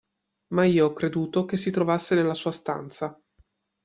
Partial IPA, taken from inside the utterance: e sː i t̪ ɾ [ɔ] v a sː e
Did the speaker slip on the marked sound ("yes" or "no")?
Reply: yes